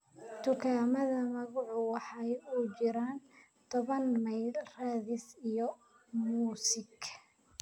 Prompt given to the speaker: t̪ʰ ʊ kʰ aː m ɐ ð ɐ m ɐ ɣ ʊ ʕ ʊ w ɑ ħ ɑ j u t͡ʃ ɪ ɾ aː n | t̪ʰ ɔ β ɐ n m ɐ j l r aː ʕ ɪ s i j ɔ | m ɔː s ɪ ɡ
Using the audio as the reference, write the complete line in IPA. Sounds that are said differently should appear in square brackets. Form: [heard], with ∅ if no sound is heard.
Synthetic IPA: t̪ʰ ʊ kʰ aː m ɐ ð ɐ m ɐ ɣ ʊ ʕ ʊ w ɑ ħ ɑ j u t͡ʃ ɪ ɾ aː n | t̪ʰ ɔ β ɐ n m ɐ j l r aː [ð] ɪ s i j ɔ | m [uː] s ɪ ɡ